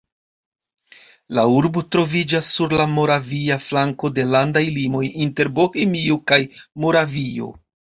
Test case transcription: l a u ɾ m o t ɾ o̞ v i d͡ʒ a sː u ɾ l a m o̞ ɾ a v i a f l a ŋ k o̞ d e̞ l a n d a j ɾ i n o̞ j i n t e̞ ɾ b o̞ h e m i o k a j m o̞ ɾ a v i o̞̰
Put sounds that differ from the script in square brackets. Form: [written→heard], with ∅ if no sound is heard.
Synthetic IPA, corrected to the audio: l a u ɾ [m→b] o t ɾ o̞ v i d͡ʒ a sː u ɾ l a m o̞ ɾ a v i a f l a ŋ k o̞ d e̞ l a n d a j [ɾ→l] i [n→m] o̞ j i n t e̞ ɾ b o̞ h e m i o k a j m o̞ ɾ a v i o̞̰